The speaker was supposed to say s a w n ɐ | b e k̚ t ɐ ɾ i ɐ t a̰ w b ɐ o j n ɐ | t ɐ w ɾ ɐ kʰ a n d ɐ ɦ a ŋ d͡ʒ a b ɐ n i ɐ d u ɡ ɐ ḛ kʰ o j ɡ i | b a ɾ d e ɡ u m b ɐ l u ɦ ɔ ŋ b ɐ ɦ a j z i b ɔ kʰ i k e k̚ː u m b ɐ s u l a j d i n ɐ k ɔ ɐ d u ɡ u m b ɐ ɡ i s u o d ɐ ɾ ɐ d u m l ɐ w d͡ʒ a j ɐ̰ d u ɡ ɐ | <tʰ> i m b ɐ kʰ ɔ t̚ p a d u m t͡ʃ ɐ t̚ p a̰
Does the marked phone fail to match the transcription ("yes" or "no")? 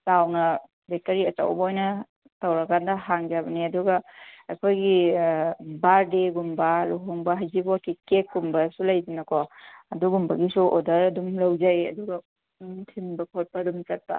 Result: no